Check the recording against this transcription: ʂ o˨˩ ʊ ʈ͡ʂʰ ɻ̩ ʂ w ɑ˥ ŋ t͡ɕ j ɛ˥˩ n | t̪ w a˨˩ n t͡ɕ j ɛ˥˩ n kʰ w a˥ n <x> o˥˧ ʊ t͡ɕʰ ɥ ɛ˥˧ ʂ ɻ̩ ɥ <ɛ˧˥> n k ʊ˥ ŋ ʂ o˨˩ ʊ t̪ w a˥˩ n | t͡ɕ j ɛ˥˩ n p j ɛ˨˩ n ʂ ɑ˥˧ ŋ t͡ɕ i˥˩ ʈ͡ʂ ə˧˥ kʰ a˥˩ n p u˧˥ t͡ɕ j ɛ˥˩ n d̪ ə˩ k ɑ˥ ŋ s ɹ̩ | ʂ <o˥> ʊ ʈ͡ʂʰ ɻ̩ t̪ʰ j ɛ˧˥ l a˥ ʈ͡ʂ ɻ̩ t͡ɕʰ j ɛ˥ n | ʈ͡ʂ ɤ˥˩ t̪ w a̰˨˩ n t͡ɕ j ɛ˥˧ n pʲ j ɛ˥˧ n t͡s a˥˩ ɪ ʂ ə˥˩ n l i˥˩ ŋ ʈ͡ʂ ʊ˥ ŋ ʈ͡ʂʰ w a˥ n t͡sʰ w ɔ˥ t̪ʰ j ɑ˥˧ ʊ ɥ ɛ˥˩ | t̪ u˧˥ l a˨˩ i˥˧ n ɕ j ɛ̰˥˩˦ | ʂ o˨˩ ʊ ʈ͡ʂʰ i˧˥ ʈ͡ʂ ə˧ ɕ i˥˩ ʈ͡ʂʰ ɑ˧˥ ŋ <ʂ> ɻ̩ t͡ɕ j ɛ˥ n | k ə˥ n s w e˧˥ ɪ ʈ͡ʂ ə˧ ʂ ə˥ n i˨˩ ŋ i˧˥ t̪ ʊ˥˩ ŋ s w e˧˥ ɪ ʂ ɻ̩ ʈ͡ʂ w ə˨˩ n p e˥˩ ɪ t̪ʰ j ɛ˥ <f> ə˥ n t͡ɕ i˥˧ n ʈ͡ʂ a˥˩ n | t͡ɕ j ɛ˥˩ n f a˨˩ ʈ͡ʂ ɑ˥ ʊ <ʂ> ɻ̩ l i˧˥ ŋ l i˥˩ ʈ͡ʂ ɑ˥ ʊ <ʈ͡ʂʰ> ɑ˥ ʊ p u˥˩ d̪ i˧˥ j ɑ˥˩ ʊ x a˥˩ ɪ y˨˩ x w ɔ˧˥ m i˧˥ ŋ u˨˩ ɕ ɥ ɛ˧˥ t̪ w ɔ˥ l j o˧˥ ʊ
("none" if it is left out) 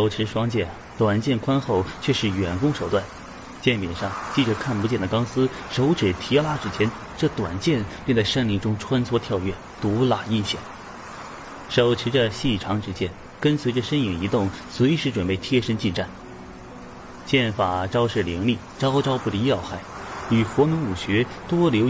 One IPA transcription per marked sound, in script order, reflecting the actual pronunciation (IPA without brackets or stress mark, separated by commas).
x, ɛ˨˩, o˧˥, ʈ͡ʂ, ʂ, ʂ, ʈ͡ʂ